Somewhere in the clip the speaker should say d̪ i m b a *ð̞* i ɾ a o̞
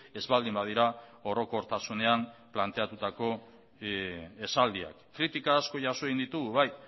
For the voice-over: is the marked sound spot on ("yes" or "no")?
yes